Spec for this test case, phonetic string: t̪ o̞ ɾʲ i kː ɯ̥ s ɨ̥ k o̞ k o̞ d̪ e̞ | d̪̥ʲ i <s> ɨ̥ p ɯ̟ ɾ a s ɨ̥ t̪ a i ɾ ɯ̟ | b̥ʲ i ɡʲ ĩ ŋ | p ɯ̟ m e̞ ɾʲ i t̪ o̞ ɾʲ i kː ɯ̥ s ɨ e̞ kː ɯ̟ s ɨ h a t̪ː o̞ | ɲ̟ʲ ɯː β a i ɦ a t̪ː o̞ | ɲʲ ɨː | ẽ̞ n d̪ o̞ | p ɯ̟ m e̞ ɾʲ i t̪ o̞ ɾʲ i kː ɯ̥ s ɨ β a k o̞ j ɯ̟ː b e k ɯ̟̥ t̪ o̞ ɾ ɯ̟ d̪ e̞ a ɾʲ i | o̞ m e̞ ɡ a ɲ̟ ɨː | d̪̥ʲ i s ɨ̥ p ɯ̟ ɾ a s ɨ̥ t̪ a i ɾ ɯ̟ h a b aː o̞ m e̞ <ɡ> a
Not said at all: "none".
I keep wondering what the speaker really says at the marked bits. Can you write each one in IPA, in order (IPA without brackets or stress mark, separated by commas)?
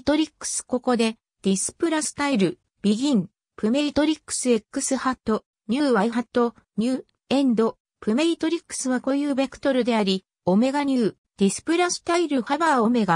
s, ɡ